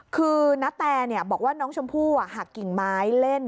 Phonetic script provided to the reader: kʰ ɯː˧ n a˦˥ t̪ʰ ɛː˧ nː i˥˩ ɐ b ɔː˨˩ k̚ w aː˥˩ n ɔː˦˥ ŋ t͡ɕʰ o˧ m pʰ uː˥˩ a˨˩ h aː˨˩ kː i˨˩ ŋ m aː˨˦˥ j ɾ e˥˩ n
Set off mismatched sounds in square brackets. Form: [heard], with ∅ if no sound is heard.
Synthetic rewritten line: kʰ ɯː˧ n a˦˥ [t̪] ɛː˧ [n] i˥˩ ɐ b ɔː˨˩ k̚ w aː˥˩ n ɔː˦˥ ŋ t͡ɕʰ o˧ m pʰ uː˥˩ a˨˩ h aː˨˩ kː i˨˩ ŋ m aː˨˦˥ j [l] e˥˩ n